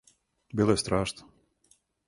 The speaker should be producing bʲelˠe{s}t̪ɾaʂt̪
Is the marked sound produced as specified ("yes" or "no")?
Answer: yes